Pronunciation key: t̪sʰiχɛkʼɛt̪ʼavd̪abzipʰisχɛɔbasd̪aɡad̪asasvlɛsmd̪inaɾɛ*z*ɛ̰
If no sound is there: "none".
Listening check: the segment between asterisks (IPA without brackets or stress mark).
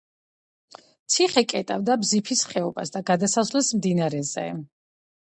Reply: z